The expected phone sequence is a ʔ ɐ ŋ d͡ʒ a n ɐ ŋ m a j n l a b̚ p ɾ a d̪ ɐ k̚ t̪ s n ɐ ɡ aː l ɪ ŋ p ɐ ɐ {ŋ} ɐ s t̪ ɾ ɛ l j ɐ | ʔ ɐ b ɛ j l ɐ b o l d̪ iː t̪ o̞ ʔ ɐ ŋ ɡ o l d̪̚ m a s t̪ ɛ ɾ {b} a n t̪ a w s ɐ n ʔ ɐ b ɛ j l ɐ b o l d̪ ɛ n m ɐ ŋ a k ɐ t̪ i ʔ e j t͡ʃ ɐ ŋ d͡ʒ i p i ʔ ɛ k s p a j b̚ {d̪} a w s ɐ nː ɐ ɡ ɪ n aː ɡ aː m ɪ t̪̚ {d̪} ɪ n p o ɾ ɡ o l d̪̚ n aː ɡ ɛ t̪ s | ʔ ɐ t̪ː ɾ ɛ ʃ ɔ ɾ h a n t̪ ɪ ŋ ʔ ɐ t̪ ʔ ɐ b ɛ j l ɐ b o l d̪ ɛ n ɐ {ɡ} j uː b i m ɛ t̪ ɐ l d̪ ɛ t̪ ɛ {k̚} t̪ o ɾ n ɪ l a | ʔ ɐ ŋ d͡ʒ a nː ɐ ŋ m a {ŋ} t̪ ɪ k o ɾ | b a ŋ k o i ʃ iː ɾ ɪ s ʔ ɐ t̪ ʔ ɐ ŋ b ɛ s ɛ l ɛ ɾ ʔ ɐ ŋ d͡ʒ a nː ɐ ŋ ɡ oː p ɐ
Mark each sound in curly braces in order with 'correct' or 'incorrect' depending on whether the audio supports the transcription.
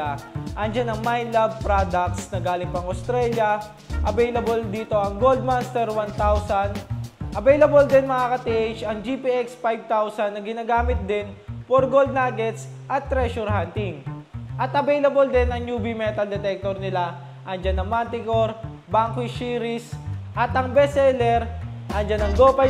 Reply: correct, incorrect: w, incorrect: t̪, correct, incorrect: ŋ, correct, incorrect: n

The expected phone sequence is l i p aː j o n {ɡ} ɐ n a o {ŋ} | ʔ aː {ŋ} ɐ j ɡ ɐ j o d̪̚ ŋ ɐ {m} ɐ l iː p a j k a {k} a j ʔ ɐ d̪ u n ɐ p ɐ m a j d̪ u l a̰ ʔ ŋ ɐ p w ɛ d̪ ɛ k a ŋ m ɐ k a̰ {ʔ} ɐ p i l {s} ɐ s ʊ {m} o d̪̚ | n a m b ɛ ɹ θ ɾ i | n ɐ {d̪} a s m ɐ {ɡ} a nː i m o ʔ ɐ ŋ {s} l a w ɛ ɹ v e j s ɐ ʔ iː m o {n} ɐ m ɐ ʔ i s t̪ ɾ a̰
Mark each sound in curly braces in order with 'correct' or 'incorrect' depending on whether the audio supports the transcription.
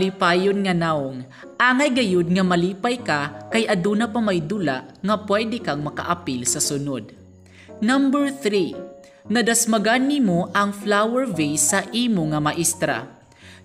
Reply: incorrect: ŋ, correct, correct, correct, correct, correct, correct, incorrect: n, correct, correct, incorrect: f, incorrect: ŋ

